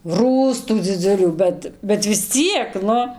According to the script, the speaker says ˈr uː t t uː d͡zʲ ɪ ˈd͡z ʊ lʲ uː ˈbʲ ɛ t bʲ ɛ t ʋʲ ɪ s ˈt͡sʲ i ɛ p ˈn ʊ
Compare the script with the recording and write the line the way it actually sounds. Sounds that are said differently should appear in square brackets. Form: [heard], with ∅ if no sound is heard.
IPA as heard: ˈr uː [s] t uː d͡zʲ ɪ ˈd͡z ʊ lʲ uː ˈbʲ ɛ t bʲ ɛ t ʋʲ ɪ s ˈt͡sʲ i ɛ [k] ˈn ʊ